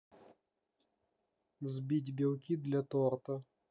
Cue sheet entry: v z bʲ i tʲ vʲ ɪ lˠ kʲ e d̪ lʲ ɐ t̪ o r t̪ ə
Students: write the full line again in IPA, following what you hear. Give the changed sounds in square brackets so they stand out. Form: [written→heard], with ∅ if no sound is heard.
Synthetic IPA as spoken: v z bʲ i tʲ [vʲ→bʲ] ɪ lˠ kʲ [e→i] d̪ lʲ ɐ t̪ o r t̪ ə